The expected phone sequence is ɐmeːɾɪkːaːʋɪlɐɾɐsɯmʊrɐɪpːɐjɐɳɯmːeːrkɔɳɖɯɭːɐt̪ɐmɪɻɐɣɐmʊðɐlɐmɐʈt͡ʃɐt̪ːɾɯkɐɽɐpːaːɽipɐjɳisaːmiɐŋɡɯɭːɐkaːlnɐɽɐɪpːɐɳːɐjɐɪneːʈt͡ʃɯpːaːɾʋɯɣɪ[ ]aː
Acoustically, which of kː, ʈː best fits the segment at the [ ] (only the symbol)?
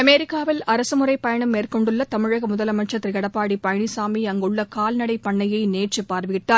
ʈː